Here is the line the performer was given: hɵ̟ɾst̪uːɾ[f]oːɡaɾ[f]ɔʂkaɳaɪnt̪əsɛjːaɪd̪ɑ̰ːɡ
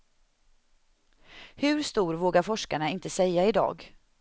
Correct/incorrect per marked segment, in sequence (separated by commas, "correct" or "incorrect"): incorrect, correct